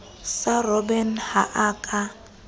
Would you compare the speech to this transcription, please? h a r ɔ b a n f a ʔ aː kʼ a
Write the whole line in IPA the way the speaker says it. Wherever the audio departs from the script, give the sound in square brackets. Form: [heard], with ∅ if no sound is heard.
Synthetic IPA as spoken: [s] a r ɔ b [ɛ] n [h] a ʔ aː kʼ a